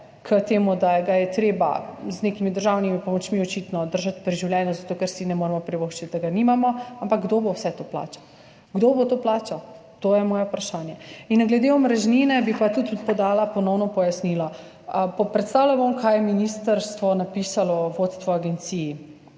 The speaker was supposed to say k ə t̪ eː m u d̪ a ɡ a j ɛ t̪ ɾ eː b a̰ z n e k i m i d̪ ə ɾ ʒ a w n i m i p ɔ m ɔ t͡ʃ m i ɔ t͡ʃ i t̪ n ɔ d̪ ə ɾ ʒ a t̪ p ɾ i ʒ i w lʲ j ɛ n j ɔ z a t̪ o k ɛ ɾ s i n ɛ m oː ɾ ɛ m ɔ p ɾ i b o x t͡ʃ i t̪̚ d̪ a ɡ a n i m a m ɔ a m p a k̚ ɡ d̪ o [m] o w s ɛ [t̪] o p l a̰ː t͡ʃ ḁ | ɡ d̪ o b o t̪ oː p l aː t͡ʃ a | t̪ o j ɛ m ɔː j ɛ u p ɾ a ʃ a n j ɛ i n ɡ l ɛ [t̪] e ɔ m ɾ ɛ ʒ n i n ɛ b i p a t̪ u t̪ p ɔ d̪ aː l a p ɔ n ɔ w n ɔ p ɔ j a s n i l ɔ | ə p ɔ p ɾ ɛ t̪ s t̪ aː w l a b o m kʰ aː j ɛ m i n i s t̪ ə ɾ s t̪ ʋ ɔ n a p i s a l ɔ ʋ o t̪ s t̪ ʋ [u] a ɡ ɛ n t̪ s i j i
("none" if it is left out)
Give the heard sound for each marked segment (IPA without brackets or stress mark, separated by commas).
b, t̪, d̪, ɔ